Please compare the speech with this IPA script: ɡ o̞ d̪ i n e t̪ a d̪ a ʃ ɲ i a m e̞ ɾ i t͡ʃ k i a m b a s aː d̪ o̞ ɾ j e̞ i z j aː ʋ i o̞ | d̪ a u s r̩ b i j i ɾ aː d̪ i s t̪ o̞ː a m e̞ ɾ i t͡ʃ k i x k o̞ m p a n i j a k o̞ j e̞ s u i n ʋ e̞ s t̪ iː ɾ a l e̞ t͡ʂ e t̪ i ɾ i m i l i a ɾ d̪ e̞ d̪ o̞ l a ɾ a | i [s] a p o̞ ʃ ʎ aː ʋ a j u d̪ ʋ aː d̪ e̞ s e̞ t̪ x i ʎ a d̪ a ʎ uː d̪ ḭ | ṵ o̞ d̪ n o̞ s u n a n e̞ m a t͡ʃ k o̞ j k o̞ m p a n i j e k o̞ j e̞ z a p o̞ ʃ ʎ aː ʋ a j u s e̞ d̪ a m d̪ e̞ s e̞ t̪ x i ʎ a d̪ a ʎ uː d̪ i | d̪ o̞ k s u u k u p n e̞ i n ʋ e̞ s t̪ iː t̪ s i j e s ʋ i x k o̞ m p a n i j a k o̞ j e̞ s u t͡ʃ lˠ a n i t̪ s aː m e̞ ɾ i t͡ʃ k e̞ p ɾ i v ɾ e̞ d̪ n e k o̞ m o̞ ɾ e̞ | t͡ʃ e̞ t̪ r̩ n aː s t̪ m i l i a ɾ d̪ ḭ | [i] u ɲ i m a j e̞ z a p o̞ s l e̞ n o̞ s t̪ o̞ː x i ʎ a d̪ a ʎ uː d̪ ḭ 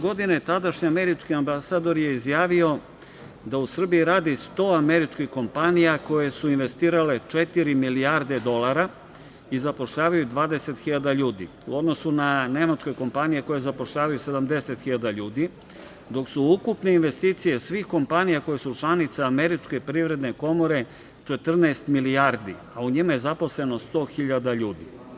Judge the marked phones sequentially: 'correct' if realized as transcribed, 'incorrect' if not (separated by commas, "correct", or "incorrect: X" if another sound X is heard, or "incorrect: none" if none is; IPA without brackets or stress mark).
incorrect: z, incorrect: a